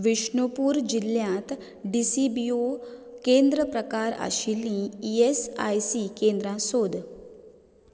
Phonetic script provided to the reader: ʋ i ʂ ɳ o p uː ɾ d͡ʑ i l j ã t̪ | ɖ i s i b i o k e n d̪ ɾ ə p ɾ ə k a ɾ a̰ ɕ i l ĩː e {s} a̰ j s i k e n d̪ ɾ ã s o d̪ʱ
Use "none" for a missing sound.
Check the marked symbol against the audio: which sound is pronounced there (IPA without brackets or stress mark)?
s